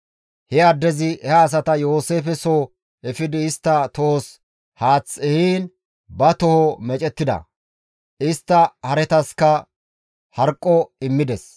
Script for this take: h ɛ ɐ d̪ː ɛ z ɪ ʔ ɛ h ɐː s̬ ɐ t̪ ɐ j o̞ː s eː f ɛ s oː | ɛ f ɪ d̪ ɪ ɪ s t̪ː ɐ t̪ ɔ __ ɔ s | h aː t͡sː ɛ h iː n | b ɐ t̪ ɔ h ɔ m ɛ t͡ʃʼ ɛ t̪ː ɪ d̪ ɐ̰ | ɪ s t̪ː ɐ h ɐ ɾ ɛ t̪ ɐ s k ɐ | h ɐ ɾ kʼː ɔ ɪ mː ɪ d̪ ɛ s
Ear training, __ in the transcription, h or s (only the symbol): h